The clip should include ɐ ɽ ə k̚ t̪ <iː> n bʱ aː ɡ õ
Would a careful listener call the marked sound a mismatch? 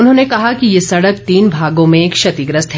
no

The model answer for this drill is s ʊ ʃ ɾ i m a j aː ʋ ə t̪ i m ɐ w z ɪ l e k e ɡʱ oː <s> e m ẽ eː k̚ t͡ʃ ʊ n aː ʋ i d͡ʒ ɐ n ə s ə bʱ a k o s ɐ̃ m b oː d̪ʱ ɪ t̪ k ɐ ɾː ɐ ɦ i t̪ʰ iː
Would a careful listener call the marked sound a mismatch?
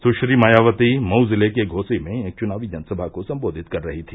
no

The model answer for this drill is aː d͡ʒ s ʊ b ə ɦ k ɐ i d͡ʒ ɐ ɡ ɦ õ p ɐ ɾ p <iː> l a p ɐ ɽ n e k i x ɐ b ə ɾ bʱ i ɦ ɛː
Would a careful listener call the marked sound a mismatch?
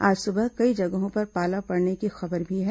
yes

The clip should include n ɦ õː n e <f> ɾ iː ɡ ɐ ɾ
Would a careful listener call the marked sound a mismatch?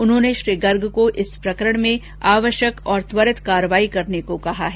yes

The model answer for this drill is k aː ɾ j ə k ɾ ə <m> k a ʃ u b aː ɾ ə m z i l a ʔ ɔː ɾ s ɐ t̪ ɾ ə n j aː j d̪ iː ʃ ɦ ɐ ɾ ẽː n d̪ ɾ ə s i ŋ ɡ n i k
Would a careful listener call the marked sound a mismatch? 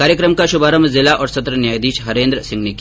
no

